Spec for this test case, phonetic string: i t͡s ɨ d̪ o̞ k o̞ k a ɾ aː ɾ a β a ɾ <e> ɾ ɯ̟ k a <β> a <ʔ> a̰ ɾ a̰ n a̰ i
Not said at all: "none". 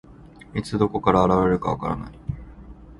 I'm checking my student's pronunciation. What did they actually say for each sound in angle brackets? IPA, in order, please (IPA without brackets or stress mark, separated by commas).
e, β, k